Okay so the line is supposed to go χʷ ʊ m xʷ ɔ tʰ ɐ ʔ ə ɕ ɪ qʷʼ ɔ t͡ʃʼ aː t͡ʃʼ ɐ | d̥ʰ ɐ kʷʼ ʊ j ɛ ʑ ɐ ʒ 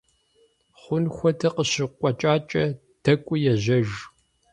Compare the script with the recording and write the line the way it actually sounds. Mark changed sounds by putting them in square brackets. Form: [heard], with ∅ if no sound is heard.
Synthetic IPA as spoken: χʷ ʊ [n] xʷ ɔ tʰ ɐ [q] ə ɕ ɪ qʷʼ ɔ t͡ʃʼ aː t͡ʃʼ ɐ | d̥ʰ ɐ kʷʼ ʊ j ɛ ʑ ɐ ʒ